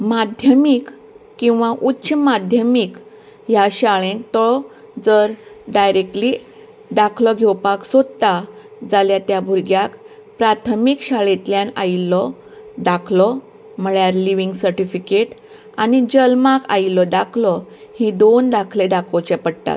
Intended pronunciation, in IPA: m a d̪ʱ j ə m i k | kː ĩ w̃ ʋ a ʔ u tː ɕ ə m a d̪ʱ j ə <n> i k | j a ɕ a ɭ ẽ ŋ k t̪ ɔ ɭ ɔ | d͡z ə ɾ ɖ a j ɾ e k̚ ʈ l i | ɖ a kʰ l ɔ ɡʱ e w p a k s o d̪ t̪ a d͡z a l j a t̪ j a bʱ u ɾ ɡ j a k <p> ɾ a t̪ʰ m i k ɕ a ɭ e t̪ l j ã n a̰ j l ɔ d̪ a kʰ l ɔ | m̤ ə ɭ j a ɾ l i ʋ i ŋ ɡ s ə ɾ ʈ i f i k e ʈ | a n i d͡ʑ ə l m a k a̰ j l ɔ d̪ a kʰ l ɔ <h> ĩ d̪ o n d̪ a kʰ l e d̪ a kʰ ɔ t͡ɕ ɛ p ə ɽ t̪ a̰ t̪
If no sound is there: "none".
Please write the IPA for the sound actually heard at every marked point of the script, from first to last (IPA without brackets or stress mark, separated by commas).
m, p, h